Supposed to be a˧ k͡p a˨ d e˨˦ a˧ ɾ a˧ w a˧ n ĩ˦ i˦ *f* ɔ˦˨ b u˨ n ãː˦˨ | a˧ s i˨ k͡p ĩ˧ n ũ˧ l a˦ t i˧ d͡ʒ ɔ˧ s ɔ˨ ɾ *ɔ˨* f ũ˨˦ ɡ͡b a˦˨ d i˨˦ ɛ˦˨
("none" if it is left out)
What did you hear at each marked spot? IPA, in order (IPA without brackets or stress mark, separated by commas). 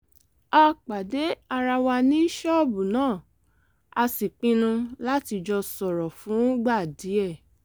ʃ, ɔ˨